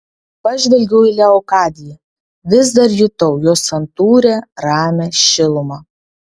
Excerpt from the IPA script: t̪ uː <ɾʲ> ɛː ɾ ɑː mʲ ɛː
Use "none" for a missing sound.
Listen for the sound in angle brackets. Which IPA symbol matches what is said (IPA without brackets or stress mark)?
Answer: ɾʲ